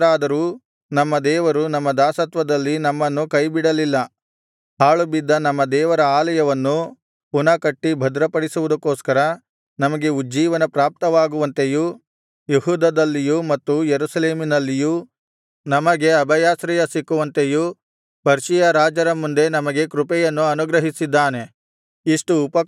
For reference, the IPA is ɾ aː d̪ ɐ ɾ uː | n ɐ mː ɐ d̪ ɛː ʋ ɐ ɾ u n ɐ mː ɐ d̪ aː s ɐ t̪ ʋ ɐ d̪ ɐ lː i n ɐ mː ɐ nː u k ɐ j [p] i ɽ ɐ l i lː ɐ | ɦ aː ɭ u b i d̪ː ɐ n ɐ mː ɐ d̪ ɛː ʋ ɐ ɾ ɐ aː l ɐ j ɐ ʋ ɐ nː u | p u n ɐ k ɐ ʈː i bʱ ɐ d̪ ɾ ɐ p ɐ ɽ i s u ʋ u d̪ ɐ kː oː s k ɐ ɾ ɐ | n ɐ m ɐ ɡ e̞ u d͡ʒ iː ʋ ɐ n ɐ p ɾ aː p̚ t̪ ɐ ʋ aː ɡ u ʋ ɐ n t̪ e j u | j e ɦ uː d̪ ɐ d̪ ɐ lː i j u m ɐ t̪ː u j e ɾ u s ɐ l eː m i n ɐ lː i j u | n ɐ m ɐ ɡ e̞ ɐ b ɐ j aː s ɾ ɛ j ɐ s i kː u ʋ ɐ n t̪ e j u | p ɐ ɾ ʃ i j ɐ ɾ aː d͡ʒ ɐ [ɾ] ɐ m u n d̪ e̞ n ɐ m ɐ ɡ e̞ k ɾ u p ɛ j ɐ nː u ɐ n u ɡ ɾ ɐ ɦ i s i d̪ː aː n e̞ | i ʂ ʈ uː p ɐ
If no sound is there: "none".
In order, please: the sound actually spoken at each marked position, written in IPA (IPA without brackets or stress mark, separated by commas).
b, ɾ